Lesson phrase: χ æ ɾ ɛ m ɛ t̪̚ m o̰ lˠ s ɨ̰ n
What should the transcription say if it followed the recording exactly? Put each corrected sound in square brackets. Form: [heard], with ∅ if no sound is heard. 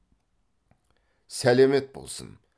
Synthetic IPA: [s] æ [l] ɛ m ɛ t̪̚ [b] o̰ lˠ s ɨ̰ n